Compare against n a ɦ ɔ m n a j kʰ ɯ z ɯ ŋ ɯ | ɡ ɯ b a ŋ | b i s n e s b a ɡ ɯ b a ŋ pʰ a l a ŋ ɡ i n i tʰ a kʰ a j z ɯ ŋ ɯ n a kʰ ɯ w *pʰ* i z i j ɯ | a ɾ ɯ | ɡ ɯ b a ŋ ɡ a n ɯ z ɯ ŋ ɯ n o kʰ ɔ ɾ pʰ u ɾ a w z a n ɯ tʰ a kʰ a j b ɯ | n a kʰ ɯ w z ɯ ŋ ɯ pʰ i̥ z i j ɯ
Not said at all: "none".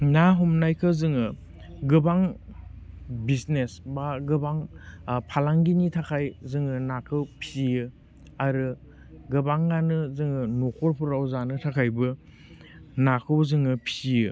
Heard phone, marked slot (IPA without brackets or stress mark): pʰ